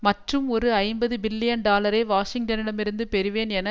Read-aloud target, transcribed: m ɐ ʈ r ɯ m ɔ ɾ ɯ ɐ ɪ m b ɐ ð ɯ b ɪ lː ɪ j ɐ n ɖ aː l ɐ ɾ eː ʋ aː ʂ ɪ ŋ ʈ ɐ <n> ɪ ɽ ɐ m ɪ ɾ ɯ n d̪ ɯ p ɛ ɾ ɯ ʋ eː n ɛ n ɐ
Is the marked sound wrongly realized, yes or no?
no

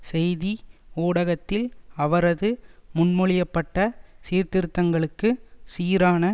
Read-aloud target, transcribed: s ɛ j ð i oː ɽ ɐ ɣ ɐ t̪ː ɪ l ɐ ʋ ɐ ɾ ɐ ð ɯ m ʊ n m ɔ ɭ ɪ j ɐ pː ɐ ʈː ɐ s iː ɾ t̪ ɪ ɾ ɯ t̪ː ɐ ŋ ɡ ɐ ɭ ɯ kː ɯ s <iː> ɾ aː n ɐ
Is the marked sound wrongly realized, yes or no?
no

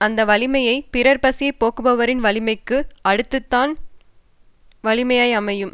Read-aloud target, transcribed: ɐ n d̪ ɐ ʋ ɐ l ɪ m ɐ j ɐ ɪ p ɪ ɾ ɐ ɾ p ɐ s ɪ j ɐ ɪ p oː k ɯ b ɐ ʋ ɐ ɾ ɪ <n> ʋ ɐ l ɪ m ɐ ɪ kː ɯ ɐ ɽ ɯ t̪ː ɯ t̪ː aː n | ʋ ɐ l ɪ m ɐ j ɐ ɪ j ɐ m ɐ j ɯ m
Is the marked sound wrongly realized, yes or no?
no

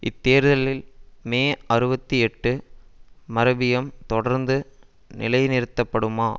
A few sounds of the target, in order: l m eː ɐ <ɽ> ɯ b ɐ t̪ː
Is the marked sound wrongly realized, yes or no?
yes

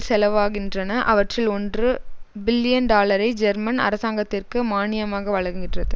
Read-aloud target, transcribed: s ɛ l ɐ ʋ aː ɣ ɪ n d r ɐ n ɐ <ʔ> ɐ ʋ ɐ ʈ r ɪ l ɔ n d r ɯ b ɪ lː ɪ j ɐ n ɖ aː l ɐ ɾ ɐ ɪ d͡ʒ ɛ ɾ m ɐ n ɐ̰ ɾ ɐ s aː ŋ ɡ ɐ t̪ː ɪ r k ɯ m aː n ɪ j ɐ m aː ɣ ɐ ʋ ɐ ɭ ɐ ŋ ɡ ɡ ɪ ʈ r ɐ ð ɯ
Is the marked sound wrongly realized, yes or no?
no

